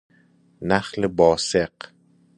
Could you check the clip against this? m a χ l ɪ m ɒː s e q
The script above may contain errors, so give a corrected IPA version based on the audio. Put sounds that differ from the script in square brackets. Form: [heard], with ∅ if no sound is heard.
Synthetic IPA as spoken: [n] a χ l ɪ [b] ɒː s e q